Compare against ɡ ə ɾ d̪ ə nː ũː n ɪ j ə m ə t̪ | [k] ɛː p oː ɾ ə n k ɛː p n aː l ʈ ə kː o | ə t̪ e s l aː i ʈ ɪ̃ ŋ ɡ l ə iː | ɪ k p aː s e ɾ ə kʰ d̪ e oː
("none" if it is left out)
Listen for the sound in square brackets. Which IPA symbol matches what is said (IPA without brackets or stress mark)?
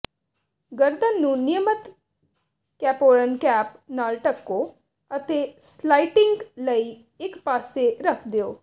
k